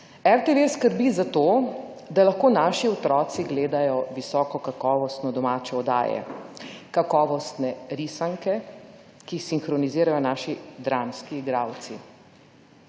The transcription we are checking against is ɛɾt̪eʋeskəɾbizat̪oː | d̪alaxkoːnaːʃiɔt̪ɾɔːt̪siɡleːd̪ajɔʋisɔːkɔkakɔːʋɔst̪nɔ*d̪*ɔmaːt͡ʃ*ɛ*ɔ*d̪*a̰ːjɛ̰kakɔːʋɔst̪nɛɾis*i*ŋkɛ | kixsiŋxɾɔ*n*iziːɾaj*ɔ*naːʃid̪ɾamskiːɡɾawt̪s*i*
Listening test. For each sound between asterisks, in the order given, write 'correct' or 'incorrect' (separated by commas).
correct, correct, correct, incorrect, correct, correct, correct